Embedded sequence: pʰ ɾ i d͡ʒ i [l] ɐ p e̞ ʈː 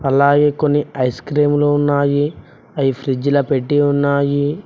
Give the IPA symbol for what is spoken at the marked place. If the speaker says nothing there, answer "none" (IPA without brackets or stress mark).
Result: l